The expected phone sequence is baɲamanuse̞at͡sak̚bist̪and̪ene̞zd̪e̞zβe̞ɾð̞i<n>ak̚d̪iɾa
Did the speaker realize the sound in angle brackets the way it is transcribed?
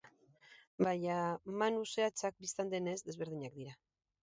no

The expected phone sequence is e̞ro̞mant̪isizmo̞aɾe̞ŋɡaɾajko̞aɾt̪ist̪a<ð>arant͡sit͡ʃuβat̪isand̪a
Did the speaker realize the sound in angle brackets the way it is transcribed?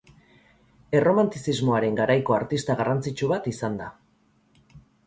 no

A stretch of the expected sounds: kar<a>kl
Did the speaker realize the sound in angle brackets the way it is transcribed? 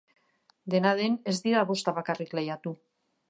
no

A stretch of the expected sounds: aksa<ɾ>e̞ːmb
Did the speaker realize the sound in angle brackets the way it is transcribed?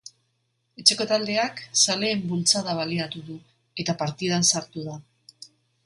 no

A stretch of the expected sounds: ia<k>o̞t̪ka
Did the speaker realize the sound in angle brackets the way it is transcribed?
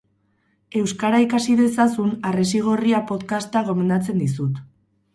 no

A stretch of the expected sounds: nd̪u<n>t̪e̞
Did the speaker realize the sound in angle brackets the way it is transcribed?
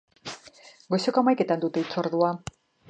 no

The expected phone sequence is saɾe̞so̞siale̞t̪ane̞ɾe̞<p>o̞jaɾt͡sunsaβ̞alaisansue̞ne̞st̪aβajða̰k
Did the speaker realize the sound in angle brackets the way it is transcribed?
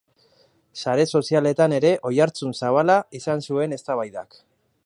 no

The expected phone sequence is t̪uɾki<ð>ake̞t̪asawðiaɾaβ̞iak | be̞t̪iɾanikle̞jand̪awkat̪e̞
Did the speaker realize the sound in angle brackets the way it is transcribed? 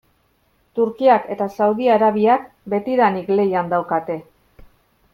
no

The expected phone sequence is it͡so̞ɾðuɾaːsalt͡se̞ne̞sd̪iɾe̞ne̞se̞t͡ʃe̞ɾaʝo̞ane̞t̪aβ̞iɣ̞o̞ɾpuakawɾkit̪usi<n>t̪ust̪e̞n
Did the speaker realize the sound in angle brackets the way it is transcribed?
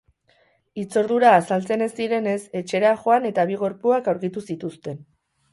no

